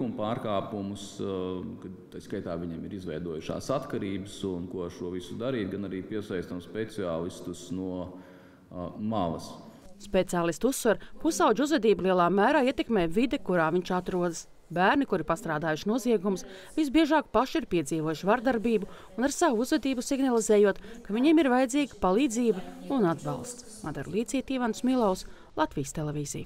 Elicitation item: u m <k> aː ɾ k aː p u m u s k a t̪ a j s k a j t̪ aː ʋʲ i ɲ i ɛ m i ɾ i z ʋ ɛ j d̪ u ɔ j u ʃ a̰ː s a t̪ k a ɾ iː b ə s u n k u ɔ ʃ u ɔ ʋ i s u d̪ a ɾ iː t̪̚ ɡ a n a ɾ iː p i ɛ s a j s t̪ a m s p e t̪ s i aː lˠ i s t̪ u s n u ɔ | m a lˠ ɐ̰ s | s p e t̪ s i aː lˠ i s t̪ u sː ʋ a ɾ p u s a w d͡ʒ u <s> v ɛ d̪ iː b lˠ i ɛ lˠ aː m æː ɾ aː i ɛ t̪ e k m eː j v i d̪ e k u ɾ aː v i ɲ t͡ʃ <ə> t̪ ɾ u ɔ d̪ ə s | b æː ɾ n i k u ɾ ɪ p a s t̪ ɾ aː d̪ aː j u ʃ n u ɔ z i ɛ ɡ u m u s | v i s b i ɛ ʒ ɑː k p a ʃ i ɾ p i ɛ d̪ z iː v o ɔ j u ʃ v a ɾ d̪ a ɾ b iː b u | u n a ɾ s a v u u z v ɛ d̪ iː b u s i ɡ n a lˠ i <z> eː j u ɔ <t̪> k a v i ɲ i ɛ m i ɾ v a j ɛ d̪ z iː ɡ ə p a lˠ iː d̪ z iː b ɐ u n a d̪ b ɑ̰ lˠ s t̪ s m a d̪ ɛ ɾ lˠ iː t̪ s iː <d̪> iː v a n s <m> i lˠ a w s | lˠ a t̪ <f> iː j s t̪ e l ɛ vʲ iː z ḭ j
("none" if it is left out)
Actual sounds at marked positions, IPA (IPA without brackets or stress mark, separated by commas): p, z, a, z, t̪, t̪, m, v